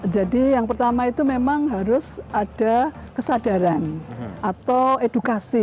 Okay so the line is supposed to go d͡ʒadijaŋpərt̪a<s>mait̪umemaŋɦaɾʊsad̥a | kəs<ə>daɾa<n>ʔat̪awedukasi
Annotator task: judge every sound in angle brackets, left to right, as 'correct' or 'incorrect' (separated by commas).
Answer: incorrect, incorrect, correct